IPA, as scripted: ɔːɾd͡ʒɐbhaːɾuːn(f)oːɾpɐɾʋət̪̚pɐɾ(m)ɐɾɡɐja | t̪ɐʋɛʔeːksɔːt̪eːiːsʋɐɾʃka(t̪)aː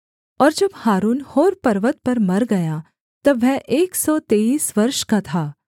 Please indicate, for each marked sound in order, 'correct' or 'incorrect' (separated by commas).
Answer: incorrect, correct, incorrect